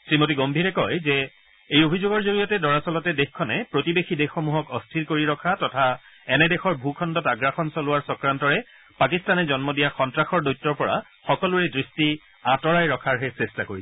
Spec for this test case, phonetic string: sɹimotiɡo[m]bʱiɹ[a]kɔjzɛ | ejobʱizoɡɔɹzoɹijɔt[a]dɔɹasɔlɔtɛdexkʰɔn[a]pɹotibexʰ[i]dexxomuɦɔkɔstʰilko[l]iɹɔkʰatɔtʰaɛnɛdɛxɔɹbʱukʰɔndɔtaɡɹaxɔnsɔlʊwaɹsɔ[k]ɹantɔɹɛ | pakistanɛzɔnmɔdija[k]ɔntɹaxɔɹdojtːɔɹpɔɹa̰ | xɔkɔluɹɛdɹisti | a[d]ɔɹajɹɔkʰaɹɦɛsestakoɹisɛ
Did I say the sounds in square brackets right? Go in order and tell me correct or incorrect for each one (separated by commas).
correct, incorrect, incorrect, incorrect, correct, incorrect, correct, incorrect, incorrect